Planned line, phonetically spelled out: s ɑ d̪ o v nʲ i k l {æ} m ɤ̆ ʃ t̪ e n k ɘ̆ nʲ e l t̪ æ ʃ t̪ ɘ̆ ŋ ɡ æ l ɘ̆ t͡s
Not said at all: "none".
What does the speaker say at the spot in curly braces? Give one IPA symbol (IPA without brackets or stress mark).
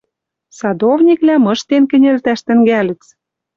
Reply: æ